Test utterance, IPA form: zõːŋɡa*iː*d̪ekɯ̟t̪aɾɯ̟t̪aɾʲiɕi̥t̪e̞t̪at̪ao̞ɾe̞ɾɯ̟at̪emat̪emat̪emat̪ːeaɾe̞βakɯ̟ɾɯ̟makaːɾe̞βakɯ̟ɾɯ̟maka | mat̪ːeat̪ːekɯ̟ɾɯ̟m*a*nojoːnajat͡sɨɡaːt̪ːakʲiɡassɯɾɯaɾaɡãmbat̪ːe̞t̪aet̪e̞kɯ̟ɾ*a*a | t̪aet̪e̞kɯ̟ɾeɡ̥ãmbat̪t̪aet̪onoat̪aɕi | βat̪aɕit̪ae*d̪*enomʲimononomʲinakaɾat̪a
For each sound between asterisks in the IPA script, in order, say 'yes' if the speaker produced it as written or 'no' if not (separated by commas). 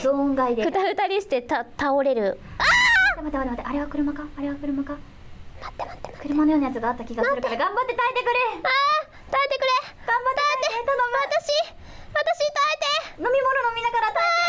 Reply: no, yes, no, no